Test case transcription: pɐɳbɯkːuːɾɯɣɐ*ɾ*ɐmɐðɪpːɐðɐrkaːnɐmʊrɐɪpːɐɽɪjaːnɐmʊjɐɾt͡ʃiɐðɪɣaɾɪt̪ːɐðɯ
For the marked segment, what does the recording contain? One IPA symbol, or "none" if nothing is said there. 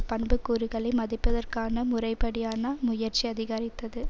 ɭ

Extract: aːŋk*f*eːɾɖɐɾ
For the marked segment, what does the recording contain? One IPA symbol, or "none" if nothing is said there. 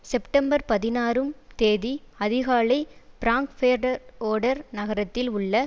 f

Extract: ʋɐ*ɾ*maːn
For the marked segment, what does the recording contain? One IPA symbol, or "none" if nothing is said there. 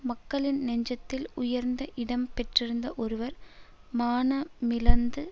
ɾ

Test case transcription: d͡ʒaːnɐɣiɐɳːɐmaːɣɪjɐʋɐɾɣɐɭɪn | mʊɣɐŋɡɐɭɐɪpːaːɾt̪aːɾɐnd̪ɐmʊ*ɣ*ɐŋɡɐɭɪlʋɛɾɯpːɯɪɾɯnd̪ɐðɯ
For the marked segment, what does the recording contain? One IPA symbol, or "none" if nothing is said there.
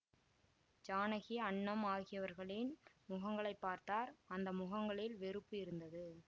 ɣ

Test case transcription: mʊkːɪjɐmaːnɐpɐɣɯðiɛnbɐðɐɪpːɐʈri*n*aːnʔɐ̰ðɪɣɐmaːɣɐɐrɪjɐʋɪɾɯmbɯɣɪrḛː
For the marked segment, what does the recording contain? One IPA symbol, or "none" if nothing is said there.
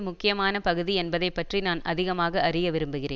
n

